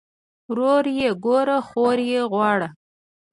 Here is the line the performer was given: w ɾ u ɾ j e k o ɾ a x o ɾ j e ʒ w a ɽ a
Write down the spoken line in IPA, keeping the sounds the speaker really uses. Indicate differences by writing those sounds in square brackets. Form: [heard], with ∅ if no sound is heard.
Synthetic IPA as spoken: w ɾ [o] ɾ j e [ɡ] o ɾ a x o ɾ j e [ɣ] w [ɑ] ɽ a